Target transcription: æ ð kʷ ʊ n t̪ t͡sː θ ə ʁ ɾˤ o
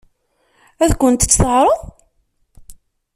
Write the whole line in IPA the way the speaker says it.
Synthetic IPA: æ ð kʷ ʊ n t̪ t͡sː θ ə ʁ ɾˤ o